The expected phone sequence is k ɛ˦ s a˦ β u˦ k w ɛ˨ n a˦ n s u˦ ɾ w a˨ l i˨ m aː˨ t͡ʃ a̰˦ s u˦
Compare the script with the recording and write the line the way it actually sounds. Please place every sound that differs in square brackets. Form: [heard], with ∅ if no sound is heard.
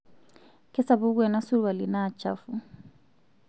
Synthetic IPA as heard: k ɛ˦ s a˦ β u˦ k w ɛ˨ n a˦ [∅] s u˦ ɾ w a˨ l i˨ [n] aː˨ t͡ʃ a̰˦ [f] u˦

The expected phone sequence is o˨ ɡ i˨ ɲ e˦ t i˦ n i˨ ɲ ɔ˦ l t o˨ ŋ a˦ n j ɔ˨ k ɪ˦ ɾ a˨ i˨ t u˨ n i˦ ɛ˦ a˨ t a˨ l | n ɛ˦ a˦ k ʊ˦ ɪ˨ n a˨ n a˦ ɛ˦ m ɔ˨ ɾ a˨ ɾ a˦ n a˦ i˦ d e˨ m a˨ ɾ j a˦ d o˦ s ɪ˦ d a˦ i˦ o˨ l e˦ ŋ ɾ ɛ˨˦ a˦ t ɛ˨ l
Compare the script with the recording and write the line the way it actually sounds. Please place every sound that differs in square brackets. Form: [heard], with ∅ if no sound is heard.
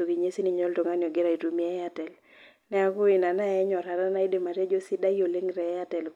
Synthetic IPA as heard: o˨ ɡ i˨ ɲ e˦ [s] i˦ n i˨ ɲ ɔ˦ l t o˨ ŋ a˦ n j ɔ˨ [ɡ] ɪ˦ ɾ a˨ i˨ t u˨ [m] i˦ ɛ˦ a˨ t [ɛ˨] l | n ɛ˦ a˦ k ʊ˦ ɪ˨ n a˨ n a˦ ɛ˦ [ɲ] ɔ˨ ɾ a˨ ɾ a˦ n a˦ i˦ d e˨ m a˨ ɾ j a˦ [d͡ʒ] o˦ s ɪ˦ d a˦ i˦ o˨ l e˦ ŋ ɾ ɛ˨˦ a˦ t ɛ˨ l

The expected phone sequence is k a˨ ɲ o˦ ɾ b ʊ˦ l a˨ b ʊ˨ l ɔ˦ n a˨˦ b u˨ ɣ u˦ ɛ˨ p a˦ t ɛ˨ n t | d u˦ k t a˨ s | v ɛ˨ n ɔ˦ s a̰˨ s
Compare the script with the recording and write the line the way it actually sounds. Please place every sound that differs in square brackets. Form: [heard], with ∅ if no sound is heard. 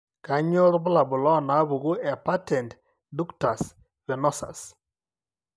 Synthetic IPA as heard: k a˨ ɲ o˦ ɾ b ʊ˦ l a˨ b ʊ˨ l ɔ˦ n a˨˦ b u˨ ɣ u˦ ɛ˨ p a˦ t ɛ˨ n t | d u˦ k t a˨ s | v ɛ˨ n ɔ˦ s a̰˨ s

